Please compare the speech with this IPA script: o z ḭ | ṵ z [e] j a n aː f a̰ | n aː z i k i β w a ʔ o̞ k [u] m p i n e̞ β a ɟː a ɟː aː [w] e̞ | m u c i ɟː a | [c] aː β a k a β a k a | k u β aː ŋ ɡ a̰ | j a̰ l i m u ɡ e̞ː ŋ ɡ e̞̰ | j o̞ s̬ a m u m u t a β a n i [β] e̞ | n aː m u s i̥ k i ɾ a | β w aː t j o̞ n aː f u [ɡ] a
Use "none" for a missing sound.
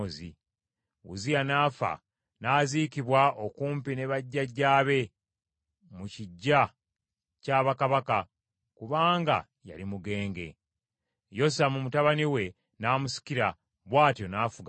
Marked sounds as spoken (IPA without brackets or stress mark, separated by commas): i, uː, β, c, w, ɡ